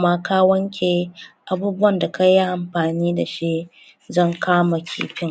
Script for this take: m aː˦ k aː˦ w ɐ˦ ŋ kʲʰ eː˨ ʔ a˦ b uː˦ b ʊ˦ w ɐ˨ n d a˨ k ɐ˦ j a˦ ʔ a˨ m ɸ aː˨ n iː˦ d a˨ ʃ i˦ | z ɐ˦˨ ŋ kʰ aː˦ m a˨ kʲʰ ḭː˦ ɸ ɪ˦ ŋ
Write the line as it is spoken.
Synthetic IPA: m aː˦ k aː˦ w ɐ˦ ŋ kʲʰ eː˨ ʔ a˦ b uː˦ b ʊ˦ w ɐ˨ n d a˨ k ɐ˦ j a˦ ʔ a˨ m ɸ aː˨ n iː˦ d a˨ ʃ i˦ | z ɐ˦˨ ŋ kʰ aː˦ m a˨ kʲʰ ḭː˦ ɸ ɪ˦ ŋ